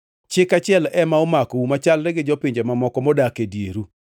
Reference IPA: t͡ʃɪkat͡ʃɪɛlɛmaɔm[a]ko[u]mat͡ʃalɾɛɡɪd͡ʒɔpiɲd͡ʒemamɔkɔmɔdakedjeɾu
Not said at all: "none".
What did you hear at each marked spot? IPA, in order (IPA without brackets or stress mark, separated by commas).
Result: a, u